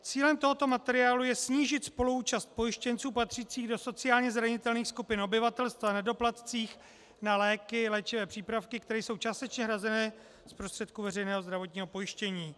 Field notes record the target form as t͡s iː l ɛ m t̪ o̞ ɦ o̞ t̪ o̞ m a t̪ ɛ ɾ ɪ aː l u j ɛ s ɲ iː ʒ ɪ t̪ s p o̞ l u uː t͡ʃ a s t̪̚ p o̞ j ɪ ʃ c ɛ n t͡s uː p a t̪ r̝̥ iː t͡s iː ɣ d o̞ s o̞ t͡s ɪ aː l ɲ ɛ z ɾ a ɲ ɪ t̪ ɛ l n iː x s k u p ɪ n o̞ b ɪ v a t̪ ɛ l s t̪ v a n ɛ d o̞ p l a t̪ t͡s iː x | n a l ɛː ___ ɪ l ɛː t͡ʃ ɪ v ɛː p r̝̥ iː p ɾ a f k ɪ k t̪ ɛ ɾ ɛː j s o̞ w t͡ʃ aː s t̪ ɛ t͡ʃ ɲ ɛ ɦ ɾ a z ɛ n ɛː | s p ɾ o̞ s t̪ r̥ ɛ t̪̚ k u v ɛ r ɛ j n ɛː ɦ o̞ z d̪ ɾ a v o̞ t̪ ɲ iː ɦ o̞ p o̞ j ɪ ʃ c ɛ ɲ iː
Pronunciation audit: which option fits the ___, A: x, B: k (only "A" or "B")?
B